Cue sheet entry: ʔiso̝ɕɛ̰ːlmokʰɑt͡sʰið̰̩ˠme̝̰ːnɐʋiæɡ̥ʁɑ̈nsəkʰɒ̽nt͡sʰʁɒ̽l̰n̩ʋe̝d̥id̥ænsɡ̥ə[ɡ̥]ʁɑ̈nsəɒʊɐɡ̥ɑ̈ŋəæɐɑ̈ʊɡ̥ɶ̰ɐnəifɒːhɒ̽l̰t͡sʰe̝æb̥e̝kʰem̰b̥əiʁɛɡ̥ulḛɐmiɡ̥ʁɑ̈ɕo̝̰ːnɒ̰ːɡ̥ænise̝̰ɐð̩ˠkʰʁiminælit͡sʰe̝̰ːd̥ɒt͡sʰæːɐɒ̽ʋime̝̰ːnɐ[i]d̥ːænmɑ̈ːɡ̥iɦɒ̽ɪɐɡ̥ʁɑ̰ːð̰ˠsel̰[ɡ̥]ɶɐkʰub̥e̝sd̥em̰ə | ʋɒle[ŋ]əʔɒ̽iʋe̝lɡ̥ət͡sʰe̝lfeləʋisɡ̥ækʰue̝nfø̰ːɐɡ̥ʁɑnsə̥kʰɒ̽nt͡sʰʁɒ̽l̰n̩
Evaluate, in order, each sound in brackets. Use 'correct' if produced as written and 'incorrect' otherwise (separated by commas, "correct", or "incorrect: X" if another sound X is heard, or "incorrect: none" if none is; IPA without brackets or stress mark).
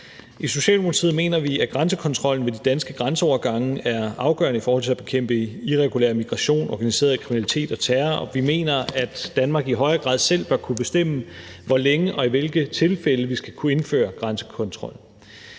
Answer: correct, incorrect: æ, incorrect: b̥, correct